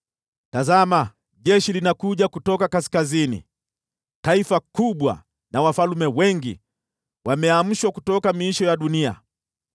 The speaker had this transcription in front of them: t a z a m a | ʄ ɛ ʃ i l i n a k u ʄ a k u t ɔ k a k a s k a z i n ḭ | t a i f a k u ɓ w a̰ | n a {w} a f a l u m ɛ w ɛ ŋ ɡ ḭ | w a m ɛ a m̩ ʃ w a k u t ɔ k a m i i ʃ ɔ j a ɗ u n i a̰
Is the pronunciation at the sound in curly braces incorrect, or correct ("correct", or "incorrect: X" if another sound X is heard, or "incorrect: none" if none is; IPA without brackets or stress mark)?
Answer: correct